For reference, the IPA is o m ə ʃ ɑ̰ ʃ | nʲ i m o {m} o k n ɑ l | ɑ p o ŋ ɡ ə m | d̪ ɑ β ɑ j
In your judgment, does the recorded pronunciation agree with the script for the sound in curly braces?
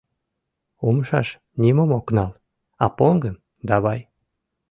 yes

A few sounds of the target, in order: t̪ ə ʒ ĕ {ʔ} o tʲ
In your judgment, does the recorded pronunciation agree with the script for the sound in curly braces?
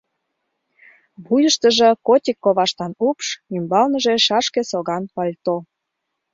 no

